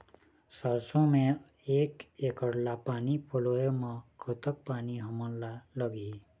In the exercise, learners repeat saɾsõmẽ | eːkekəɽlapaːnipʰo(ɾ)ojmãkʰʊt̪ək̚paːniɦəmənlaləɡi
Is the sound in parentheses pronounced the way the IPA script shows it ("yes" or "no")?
no